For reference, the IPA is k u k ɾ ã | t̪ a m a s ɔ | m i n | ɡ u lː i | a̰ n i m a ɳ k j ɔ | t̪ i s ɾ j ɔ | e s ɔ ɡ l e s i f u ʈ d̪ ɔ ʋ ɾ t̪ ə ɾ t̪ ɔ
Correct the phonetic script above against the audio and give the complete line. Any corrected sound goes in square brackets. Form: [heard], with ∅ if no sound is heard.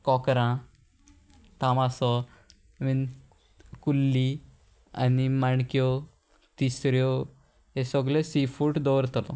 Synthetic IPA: k [ɔ] k ɾ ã | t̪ a m a s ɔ | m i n | [k] u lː i | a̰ n i m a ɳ k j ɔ | t̪ i s ɾ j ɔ | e s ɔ ɡ l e s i f u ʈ d̪ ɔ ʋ ɾ t̪ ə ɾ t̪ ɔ